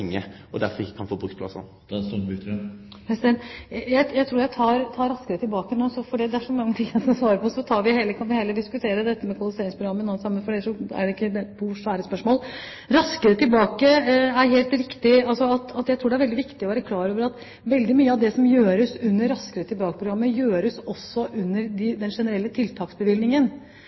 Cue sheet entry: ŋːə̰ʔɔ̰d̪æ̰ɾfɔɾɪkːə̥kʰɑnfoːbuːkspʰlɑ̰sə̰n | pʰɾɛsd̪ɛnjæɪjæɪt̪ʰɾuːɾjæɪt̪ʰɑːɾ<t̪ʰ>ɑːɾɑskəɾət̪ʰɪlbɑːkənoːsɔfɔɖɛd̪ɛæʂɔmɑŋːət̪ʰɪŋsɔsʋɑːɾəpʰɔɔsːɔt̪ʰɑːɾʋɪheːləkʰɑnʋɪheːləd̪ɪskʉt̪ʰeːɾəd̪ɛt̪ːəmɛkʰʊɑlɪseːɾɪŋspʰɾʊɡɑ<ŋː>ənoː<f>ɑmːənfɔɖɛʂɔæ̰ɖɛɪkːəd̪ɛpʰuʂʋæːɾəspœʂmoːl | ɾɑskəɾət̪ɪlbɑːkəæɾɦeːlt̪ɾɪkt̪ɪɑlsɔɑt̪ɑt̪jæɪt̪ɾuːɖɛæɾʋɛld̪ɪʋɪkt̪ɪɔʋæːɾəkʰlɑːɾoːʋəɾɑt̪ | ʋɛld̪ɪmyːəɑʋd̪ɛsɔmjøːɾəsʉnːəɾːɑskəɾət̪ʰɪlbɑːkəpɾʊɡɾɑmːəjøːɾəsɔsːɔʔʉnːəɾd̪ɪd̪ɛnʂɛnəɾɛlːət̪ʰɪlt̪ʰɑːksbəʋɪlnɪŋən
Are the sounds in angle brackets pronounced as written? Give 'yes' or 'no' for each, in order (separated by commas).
yes, no, no